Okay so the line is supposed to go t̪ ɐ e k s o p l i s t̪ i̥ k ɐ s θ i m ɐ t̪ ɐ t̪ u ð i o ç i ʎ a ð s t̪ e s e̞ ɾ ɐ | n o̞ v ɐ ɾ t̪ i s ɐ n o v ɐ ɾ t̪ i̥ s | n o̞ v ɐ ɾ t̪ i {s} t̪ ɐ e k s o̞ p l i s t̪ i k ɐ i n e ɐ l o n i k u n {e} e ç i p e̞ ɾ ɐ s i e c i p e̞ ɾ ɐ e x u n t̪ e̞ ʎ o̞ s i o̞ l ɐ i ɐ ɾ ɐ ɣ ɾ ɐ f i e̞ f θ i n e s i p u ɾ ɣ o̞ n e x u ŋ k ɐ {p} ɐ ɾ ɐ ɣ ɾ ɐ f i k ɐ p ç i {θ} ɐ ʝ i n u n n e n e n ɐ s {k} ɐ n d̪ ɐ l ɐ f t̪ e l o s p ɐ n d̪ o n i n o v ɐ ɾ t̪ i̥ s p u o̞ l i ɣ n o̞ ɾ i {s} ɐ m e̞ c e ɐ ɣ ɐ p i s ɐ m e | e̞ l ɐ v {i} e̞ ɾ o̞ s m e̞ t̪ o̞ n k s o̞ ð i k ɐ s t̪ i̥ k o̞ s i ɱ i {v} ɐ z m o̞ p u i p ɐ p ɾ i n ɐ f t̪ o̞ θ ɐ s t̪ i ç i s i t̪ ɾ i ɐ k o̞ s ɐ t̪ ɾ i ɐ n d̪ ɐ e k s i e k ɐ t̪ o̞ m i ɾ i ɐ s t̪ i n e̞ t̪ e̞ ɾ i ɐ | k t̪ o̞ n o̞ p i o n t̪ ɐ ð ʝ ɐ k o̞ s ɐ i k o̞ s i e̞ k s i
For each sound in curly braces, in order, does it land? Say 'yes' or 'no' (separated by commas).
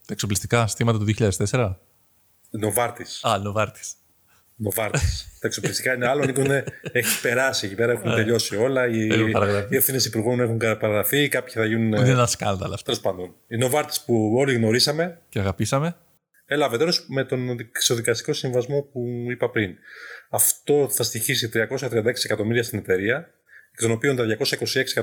yes, yes, yes, yes, yes, yes, no, yes